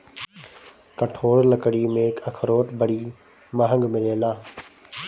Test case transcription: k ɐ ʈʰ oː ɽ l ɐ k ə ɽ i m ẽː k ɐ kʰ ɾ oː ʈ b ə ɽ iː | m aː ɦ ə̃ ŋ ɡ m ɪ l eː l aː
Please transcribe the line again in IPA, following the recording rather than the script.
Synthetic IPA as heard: k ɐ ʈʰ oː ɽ l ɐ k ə ɽ i m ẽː k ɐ kʰ ɾ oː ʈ b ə ɽ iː | m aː ɦ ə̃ ŋ ɡ m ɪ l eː l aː

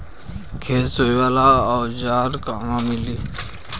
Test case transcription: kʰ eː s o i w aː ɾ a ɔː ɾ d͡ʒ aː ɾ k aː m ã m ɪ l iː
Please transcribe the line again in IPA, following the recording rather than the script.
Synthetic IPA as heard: kʰ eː s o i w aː l a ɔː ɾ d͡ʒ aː ɾ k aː m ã m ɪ l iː

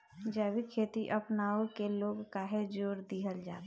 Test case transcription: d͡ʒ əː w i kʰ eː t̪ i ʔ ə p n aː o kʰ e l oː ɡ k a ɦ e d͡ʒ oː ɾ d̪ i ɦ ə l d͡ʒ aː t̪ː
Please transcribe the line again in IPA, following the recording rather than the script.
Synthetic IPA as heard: d͡ʒ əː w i kʰ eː t̪ i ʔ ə p n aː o k e l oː ɡ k a ɦ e d͡ʒ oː ɾ d̪ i ɦ ə l d͡ʒ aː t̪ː

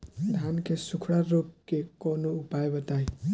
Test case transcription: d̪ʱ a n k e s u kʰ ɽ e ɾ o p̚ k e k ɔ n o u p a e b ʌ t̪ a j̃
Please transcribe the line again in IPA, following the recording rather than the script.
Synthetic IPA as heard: d̪ʱ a n k e s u kʰ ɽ a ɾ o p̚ k e k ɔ n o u p a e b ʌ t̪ a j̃

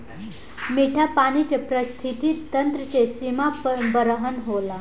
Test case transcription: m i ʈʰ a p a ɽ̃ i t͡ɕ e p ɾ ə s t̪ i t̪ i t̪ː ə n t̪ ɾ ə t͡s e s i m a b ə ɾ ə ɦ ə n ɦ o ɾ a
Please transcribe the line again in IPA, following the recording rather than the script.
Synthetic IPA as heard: m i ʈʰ a p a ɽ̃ i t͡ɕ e p ɾ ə s t̪ʰ i t̪ i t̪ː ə n t̪ ɾ ə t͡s e s i m a b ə ɾ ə ɦ ə n ɦ o l a

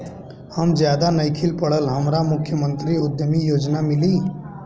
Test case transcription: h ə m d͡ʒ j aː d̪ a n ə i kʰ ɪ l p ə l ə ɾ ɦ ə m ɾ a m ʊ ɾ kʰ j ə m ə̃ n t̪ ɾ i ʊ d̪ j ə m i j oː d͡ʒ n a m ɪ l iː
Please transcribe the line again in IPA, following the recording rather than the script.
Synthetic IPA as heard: h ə m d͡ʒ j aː d̪ a n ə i kʰ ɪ l p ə ɽ ə l ɦ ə m ɾ a m ʊ kʰ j ə m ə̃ n t̪ ɾ i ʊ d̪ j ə m i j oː d͡ʒ n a m ɪ l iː

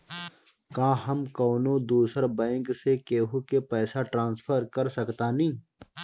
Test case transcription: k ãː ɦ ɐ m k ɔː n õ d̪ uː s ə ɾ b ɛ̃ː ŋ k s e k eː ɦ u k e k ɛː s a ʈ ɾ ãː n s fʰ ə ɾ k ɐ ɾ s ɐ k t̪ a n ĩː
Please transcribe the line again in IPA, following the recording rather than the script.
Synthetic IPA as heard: k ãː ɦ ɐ m k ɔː n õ d̪ uː s ə ɾ b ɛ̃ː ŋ k s e k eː ɦ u k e p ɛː s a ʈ ɾ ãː n s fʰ ə ɾ k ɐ ɾ s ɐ k t̪ a n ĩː

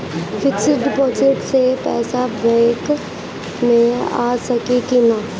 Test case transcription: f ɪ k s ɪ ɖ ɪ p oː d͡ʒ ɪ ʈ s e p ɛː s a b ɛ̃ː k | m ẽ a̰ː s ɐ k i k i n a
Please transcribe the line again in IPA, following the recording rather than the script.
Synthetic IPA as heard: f ɪ k s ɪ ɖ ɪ p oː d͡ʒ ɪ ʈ s e p ɛː s a b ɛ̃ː k | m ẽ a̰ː s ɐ k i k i n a

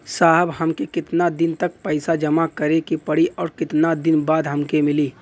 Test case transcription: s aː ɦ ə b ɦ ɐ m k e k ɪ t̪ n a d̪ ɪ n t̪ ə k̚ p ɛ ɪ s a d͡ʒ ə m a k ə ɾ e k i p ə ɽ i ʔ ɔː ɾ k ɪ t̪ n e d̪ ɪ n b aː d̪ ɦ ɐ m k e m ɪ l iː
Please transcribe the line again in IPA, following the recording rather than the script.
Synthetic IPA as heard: s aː ɦ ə b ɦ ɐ m k e k ɪ t̪ n a d̪ ɪ n t̪ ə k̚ p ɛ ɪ s a d͡ʒ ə m a k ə ɾ e k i p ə ɽ i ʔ ɔː ɾ k ɪ t̪ n a d̪ ɪ n b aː d̪ ɦ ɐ m k e m ɪ l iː

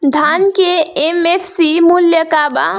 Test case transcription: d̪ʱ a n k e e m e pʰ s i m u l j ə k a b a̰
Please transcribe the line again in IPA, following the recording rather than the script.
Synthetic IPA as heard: d̪ʱ a n k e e m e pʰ s i m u l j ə k a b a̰

